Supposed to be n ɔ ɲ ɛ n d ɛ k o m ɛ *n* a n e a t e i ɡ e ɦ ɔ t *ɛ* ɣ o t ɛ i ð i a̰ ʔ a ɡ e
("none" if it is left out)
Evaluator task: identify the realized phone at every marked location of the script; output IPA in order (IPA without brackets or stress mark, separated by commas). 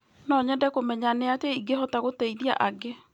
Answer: ɲ, a